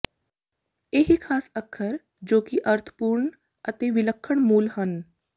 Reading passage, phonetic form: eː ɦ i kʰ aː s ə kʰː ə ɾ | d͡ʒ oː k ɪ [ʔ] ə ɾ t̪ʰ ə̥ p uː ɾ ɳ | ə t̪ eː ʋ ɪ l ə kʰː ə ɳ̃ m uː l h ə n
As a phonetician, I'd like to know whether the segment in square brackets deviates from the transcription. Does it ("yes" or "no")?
no